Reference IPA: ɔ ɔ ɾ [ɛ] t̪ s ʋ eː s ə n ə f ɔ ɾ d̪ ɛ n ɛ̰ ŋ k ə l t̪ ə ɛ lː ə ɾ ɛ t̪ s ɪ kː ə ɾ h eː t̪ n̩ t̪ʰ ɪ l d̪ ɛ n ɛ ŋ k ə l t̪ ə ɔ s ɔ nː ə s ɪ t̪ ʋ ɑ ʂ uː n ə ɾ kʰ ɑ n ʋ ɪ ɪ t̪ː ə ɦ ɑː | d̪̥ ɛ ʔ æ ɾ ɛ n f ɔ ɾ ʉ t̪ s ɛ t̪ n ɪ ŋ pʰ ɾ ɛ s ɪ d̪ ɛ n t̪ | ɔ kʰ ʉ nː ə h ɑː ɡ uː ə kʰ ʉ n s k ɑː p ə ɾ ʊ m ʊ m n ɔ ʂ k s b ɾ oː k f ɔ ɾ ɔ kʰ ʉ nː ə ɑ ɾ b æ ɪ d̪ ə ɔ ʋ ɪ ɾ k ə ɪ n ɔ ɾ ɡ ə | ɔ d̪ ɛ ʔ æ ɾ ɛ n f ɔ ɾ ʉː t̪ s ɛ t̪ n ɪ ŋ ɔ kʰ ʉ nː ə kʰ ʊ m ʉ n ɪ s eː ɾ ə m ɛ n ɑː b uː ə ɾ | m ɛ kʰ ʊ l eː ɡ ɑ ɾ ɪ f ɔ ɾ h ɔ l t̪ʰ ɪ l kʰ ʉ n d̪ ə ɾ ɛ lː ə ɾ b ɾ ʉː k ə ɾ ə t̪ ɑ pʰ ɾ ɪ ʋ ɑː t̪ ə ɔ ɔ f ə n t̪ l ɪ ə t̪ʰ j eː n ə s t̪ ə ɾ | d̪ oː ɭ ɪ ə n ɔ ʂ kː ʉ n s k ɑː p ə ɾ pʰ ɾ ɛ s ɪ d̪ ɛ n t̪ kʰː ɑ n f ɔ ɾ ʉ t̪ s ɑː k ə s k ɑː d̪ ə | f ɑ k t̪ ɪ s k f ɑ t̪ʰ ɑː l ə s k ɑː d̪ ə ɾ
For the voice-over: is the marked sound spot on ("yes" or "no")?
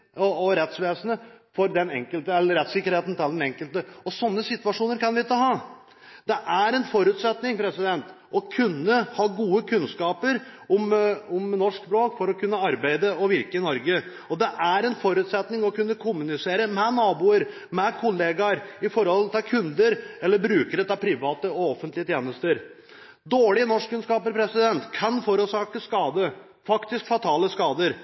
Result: yes